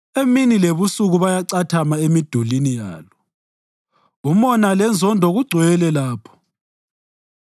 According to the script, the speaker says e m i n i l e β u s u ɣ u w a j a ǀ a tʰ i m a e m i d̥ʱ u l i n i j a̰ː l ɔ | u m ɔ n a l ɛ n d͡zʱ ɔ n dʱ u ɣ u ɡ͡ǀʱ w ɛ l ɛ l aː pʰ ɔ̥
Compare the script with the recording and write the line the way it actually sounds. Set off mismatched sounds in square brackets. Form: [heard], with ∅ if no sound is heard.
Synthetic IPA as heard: e m i n i l e β u s u ɣ u [β] a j a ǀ a tʰ [a] m a e m i d̥ʱ u l i n i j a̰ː l ɔ | u m ɔ n a l ɛ n d͡zʱ ɔ n dʱ [ɔ] ɣ u ɡ͡ǀʱ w ɛ l ɛ l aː pʰ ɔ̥